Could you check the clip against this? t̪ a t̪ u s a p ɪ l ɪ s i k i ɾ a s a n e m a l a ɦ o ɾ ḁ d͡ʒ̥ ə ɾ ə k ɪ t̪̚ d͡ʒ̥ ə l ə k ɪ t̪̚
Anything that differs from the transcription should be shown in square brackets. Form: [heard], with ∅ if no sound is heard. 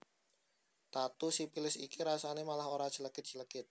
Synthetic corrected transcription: t̪ a t̪ u s [i] p [i] l ɪ s i k i ɾ a s a n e m a l a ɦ o ɾ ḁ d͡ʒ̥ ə [l] ə k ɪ t̪̚ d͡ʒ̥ ə l ə k ɪ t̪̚

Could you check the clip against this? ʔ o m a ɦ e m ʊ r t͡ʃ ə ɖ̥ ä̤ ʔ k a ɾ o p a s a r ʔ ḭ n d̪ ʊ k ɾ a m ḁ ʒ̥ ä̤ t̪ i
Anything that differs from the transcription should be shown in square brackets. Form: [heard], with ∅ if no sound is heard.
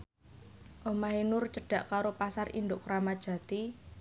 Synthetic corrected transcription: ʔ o m a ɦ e [n] ʊ r t͡ʃ ə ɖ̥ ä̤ ʔ k a ɾ o p a s a r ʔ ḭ n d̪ ʊ k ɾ a m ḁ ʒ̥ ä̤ t̪ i

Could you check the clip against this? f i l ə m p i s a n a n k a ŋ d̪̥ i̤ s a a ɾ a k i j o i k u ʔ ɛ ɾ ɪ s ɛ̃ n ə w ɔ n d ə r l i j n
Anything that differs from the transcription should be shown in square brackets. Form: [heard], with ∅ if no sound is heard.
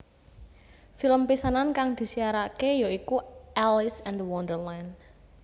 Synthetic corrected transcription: f i l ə m p i s a n a n k a ŋ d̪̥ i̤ s [i] a ɾ a k [e] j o i k u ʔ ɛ [l] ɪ s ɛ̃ n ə w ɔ n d ə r l [a] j n

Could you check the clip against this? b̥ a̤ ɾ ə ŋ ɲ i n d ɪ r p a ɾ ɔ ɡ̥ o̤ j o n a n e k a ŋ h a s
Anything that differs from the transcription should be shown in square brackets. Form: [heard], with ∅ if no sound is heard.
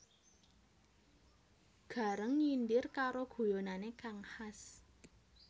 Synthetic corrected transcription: [ɡ̥] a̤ ɾ ə ŋ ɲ i n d ɪ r [k] a ɾ [o] ɡ̥ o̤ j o n a n e k a ŋ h a s

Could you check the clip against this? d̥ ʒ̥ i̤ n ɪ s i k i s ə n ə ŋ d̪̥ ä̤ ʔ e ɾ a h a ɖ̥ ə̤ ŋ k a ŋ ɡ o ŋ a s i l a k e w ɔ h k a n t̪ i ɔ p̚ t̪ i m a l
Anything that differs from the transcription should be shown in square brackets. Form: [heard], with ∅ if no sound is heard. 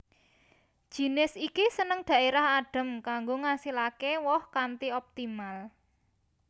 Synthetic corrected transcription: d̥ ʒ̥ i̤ n ɪ s i k i s ə n ə ŋ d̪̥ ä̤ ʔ e ɾ a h a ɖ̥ ə̤ [m] k a ŋ ɡ o ŋ a s i l a k e w ɔ h k a n t̪ i ɔ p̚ t̪ i m a l

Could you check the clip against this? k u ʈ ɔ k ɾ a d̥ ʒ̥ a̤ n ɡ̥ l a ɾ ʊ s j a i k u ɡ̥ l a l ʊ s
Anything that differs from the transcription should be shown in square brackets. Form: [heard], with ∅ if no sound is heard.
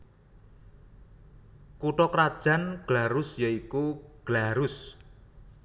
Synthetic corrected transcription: k u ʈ ɔ k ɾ a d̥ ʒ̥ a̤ n ɡ̥ l a ɾ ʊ s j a i k u ɡ̥ l a [ɾ] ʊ s

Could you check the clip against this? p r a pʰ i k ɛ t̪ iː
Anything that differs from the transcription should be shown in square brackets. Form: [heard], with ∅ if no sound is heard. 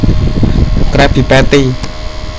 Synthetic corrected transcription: [k] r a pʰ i [p] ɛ t̪ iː

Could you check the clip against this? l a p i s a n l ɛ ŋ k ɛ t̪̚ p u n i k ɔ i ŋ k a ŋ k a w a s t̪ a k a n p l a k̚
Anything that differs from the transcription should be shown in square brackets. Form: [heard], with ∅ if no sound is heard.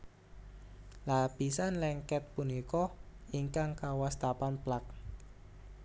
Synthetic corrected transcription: l a p i s a n l ɛ ŋ k ɛ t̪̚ p u n i k ɔ i ŋ k a ŋ k a w a s t̪ a [p] a n p l a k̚

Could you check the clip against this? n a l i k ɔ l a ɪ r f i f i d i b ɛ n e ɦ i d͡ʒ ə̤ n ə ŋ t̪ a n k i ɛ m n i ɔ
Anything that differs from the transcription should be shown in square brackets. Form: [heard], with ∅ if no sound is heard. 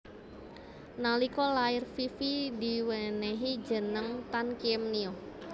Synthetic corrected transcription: n a l i k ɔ l a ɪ r f i f i d i [w] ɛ n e ɦ i d͡ʒ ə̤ n ə ŋ t̪ a n k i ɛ m n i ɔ

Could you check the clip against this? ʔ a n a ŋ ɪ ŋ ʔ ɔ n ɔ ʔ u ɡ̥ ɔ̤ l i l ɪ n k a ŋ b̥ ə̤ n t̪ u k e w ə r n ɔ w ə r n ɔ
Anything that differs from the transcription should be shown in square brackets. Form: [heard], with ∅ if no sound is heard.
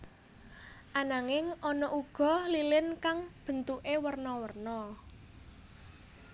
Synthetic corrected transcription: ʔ a n a ŋ ɪ ŋ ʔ ɔ n ɔ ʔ u ɡ̥ ɔ̤ l i l ɪ n k a ŋ b̥ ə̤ n t̪ u [ʔ] e w ə r n ɔ w ə r n ɔ

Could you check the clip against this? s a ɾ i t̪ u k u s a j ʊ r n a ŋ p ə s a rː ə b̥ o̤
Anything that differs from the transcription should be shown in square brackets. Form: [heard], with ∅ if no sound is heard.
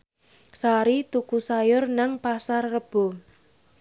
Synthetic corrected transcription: s a ɾ i t̪ u k u s a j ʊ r n a ŋ p [a] s a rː ə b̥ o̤

